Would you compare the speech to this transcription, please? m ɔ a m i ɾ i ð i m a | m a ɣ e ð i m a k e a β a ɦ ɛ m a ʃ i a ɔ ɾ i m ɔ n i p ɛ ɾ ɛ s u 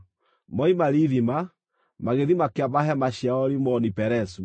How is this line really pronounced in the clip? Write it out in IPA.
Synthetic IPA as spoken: m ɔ i m a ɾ i ð i m a | m a ɣ e ð i m a k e a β a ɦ ɛ m a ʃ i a ɔ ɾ i m ɔ n i p ɛ ɾ ɛ s u